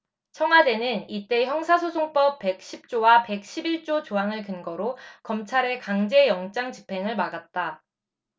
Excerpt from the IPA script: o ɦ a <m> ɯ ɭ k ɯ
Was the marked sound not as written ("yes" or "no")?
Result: yes